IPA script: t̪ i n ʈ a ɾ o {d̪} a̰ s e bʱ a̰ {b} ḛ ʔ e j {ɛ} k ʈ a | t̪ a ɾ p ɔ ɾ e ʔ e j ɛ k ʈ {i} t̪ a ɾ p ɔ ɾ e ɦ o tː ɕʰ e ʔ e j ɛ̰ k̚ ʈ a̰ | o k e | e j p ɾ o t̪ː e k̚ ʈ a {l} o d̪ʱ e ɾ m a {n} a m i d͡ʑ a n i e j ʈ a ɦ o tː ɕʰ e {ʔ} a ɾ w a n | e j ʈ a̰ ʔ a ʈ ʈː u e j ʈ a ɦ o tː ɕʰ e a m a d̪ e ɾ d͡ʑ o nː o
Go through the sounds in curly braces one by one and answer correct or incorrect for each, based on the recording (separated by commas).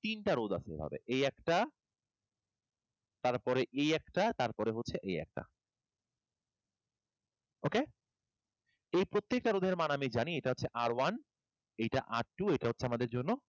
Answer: correct, correct, correct, incorrect, incorrect, correct, correct